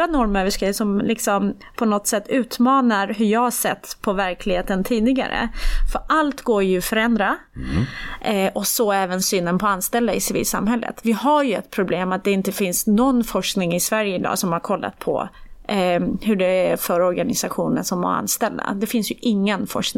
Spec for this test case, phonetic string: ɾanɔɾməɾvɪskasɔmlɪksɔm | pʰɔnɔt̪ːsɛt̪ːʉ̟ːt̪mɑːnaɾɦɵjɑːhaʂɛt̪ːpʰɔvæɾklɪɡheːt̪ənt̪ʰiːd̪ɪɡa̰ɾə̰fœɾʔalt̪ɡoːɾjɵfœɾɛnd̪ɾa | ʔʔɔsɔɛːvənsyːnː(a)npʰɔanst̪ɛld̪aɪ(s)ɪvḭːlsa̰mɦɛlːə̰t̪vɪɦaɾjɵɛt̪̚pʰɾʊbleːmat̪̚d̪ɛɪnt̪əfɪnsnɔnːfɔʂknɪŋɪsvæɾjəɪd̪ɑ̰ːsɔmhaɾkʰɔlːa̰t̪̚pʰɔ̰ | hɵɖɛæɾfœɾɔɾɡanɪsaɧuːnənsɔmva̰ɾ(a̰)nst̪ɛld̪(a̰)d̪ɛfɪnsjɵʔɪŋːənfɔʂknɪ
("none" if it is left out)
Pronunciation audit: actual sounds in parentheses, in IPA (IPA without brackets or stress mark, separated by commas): ə, s, a̰, a̰